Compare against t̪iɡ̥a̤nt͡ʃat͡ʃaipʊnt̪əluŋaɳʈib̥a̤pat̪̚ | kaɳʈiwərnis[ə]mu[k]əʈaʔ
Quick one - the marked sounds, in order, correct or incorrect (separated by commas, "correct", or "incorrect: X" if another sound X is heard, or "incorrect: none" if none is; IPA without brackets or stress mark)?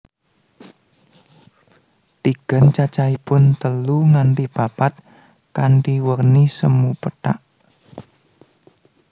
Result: correct, incorrect: p